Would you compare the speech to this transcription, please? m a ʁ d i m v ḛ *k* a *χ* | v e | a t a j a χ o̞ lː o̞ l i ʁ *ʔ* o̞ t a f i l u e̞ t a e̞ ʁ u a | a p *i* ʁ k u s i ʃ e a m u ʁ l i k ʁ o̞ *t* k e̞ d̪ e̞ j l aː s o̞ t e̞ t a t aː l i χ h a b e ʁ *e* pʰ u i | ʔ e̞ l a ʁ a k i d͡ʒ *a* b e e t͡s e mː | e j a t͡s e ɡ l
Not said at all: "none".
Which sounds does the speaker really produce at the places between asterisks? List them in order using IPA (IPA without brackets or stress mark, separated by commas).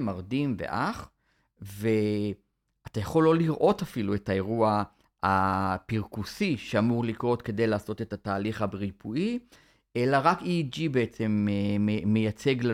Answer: ʔ, χ, ʔ, i, t, i, i